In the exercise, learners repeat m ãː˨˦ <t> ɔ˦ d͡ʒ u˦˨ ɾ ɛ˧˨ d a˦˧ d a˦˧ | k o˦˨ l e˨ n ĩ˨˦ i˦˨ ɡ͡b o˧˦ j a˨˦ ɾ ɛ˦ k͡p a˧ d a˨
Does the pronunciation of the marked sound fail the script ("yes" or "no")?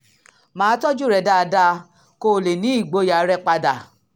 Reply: no